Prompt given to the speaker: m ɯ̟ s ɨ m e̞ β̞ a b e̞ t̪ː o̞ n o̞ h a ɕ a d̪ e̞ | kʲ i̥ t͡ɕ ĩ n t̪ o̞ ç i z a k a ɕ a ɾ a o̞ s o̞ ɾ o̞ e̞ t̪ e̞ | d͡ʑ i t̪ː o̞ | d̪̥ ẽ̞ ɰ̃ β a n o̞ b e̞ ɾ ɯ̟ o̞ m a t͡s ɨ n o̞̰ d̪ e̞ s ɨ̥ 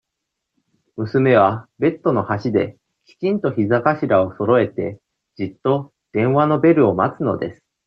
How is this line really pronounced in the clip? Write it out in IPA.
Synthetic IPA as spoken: m ɯ̟ s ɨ m e̞ β̞ a b e̞ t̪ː o̞ n o̞ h a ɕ i d̪ e̞ | kʲ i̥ t͡ɕ ĩ n t̪ o̞ ç i z a k a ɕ i ɾ a o̞ s o̞ ɾ o̞ e̞ t̪ e̞ | d͡ʑ i t̪ː o̞ | d̪̥ ẽ̞ ɰ̃ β a n o̞ b e̞ ɾ ɯ̟ o̞ m a t͡s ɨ n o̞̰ d̪ e̞ s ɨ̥

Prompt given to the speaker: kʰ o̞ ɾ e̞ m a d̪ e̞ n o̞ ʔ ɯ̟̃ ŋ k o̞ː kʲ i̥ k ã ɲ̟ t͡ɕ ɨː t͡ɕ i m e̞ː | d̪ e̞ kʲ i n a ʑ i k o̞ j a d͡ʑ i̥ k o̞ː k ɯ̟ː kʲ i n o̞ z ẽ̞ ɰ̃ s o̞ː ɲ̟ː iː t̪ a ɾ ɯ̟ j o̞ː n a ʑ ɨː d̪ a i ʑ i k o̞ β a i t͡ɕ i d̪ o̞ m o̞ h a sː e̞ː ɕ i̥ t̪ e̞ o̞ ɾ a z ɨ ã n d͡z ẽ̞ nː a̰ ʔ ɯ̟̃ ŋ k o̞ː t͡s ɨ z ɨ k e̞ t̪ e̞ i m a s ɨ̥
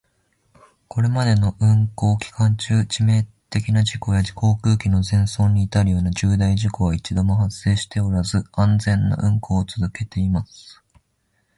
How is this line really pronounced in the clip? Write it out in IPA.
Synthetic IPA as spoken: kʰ o̞ ɾ e̞ m a d̪ e̞ n o̞ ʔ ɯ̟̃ ŋ k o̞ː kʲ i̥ k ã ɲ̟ t͡ɕ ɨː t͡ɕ i m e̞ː | t̪ e̞ kʲ i n a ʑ i k o̞ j a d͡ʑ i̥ k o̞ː k ɯ̟ː kʲ i n o̞ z ẽ̞ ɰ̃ s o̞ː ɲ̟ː iː t̪ a ɾ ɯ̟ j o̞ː n a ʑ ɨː d̪ a i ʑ i k o̞ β a i t͡ɕ i d̪ o̞ m o̞ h a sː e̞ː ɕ i̥ t̪ e̞ o̞ ɾ a z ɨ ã n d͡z ẽ̞ nː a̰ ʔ ɯ̟̃ ŋ k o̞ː t͡s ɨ z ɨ k e̞ t̪ e̞ i m a s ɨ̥

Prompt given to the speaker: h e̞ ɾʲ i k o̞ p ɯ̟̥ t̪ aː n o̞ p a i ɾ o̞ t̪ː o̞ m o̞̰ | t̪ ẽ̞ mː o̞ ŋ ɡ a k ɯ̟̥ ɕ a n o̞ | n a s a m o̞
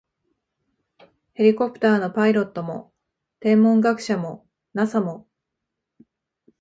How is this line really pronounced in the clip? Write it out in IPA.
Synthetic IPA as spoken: h e̞ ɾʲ i k o̞ p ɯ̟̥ t̪ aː n o̞ p a i ɾ o̞ t̪ː o̞ m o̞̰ | t̪ ẽ̞ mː õ̞ ŋ ɡ a k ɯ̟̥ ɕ a m o̞ | n a s a m o̞

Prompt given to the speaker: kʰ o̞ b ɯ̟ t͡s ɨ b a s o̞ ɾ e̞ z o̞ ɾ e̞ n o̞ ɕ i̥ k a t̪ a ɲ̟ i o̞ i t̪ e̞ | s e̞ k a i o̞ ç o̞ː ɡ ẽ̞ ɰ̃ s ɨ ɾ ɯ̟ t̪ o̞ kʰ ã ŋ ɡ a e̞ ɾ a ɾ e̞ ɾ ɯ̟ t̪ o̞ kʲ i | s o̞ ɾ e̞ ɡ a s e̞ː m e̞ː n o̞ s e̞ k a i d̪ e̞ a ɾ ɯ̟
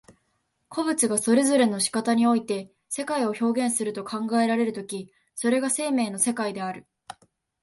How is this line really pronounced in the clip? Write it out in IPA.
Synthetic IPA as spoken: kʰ o̞ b ɯ̟ t͡s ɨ ɡ a s o̞ ɾ e̞ z o̞ ɾ e̞ n o̞ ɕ i̥ k a t̪ a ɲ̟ i o̞ i t̪ e̞ | s e̞ k a i o̞ ç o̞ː ɡ ẽ̞ ɰ̃ s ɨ ɾ ɯ̟ t̪ o̞ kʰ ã ŋ ɡ a e̞ ɾ a ɾ e̞ ɾ ɯ̟ t̪ o̞ kʲ i | s o̞ ɾ e̞ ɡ a s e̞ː m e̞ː n o̞ s e̞ k a i d̪ e̞ a ɾ ɯ̟

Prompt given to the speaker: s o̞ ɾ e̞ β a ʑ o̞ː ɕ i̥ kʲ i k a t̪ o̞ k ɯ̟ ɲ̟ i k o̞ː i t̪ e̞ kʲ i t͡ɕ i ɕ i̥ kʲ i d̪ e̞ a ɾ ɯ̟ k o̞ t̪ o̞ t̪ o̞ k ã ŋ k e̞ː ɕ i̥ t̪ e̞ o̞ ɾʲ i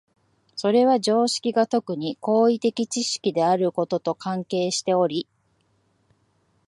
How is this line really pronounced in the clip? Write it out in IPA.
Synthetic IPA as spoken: s o̞ ɾ e̞ β a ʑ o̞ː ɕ i̥ kʲ i ɡ a t̪ o̞ k ɯ̟ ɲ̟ i k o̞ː i t̪ e̞ kʲ i t͡ɕ i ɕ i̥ kʲ i d̪ e̞ a ɾ ɯ̟ k o̞ t̪ o̞ t̪ o̞ k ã ŋ k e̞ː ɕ i̥ t̪ e̞ o̞ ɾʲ i

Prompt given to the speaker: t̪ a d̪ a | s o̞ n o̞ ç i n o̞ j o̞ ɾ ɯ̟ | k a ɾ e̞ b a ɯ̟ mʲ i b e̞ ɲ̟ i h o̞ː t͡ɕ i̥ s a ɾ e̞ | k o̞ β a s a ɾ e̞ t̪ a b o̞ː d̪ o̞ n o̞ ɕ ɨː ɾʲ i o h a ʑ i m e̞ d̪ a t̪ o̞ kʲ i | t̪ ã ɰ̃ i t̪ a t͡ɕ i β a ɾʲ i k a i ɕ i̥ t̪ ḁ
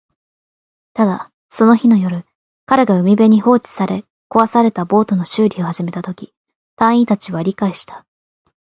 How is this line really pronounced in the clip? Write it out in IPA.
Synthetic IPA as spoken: t̪ a d̪ a | s o̞ n o̞ ç i n o̞ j o̞ ɾ ɯ̟ | k a ɾ e̞ ɡ a ɯ̟ mʲ i b e̞ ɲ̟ i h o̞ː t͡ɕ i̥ s a ɾ e̞ | k o̞ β a s a ɾ e̞ t̪ a b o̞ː t̪ o̞ n o̞ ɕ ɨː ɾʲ i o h a ʑ i m e̞ t̪ a t̪ o̞ kʲ i | t̪ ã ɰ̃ i t̪ a t͡ɕ i β a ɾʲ i k a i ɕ i̥ t̪ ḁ

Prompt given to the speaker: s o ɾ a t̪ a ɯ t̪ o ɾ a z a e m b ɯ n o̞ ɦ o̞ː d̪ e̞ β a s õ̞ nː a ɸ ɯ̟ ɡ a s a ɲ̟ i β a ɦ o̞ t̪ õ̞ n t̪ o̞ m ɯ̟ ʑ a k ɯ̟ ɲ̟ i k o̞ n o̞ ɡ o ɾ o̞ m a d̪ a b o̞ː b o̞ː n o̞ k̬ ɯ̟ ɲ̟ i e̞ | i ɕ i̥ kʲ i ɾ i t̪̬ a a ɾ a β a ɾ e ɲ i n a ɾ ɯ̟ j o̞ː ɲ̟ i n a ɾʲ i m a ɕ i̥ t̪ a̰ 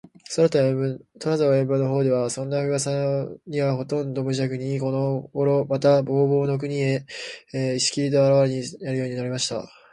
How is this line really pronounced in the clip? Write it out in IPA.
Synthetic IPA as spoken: s o ɾ a t̪ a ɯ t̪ o ɾ a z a e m b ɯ n o̞ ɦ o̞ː d̪ e̞ β a s õ̞ nː a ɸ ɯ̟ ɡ a s a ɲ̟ i β a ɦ o̞ t̪ õ̞ n d̪ o̞ m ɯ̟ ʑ a k ɯ̟ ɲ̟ i k o̞ n o̞ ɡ o ɾ o̞ m a t̪ a b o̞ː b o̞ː n o̞ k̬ ɯ̟ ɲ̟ i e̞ | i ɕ i̥ kʲ i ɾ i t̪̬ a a ɾ a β a ɾ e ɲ i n a ɾ ɯ̟ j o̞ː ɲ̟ i n a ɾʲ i m a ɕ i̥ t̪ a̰

